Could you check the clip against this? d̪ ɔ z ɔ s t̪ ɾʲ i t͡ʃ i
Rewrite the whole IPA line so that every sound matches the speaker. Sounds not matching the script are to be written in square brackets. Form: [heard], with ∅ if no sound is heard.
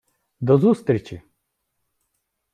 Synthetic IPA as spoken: d̪ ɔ z [u] s t̪ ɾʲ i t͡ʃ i